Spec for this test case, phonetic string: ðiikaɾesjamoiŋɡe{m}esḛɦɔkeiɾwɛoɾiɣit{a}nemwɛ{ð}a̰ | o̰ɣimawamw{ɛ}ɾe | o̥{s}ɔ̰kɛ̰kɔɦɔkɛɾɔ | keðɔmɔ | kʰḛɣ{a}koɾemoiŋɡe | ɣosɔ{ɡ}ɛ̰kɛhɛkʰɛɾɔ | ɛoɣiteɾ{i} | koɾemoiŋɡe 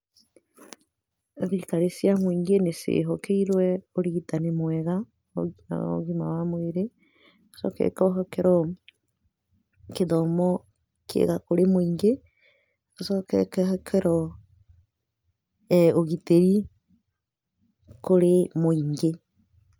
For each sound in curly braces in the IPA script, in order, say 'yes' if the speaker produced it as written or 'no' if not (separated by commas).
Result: no, yes, no, no, yes, yes, no, yes